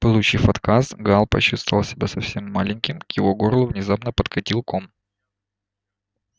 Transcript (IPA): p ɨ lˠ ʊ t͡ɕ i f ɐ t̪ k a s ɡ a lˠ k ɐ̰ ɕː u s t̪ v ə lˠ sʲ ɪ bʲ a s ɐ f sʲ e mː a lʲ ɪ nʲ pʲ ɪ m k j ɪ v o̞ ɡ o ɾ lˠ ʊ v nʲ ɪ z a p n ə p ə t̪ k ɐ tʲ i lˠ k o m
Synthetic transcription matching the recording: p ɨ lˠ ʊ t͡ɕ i f ɐ t̪ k a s ɡ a lˠ p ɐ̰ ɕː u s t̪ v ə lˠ sʲ ɪ bʲ a s ɐ f sʲ e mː a lʲ ɪ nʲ kʲ ɪ m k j ɪ v o̞ ɡ o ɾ lˠ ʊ v nʲ ɪ z a p n ə p ə t̪ k ɐ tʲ i lˠ k o m

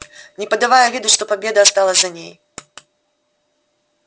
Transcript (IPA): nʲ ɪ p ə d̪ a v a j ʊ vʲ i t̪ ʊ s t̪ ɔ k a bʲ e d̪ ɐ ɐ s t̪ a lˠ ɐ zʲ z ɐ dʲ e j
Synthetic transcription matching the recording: nʲ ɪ p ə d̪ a v a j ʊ vʲ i d̪ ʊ ʂ t̪ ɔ p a bʲ e d̪ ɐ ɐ s t̪ a lˠ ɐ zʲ z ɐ nʲ e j

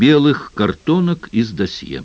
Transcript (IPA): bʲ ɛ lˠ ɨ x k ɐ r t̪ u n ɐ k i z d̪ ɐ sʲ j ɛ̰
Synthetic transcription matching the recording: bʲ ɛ lˠ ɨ x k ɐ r t̪ ɔ n ɐ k i z d̪ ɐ sʲ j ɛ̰

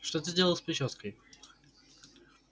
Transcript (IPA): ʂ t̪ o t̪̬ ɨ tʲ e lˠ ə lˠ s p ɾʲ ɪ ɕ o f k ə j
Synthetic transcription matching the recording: ʂ t̪ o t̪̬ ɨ dʲ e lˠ ə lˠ s p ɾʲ ɪ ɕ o s k ə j

